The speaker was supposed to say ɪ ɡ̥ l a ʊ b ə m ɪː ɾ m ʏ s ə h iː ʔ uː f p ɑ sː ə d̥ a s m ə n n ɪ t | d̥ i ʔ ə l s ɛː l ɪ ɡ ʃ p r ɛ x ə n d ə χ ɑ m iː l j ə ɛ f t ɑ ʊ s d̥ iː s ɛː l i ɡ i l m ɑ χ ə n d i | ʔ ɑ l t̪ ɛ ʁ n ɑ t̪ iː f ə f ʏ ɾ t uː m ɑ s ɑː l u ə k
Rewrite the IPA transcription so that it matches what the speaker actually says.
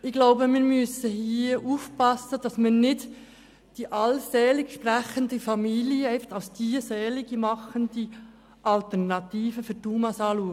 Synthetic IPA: ɪ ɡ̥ l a ʊ b ə m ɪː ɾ m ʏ s ə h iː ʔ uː f p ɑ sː ə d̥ ɑ s m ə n n ɪ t | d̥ i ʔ ɑ l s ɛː l ɪ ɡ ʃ p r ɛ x ə n d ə f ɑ m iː l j ə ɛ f t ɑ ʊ s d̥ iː s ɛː l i ɡ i m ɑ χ ə n d i | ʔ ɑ l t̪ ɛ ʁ n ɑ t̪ iː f ə f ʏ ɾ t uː m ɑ s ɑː l u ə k